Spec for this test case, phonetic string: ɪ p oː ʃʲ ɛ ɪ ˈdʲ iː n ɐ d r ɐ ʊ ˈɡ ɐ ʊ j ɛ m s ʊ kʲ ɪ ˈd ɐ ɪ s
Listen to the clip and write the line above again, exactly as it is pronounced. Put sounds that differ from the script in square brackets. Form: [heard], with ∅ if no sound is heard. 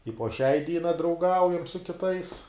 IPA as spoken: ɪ p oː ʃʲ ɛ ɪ ˈdʲ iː n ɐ d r ɐ ʊ ˈɡ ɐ ʊ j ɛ m s ʊ kʲ ɪ [ˈt] ɐ ɪ s